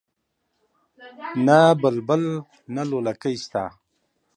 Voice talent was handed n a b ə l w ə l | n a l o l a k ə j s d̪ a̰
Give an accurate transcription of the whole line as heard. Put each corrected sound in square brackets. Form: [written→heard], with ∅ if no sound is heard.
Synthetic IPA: n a b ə l [w→b] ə l | n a l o l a k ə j s [d̪→t̪] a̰